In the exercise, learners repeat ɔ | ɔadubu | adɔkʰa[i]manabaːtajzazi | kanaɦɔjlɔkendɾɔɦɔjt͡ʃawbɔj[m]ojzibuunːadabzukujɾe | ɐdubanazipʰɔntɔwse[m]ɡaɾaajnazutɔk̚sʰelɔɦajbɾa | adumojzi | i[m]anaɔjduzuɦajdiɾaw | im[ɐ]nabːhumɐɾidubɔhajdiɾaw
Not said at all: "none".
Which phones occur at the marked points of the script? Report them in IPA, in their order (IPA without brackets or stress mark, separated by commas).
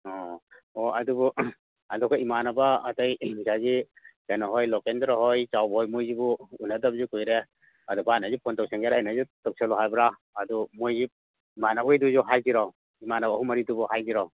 i, m, ŋ, m, a